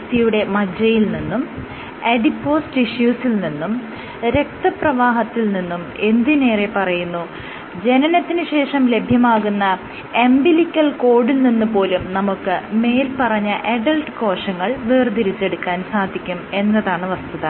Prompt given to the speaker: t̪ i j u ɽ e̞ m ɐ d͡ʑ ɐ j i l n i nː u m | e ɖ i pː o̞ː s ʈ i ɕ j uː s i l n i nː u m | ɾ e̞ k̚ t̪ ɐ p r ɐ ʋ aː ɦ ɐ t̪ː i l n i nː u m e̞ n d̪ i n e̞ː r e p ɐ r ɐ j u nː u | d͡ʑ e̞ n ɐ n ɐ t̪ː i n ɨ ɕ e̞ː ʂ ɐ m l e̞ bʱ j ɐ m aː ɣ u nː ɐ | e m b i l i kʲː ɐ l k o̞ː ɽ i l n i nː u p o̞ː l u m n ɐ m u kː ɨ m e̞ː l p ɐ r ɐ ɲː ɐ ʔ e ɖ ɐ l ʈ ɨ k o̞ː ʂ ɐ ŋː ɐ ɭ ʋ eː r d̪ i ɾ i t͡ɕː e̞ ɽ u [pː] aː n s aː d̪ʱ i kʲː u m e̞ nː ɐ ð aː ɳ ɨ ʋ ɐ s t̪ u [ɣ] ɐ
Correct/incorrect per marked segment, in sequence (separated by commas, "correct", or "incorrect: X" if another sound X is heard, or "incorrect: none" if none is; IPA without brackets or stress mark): incorrect: kː, incorrect: ð